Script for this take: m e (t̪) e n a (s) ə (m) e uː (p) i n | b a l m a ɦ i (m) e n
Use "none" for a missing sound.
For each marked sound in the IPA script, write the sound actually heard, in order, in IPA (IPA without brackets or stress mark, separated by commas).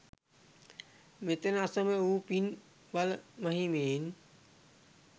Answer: t̪, s, m, p, m